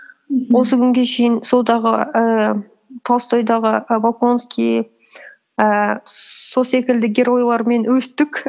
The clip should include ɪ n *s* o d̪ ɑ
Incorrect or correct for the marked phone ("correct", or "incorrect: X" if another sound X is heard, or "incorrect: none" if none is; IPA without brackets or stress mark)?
correct